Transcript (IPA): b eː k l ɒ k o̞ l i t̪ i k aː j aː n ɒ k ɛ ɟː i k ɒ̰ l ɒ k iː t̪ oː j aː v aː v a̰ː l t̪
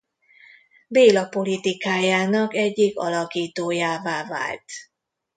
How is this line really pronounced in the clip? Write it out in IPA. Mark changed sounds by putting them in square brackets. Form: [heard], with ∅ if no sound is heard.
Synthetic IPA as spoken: b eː [∅] l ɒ [p] o̞ l i t̪ i k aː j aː n ɒ k ɛ ɟː i k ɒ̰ l ɒ k iː t̪ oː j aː v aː v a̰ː l t̪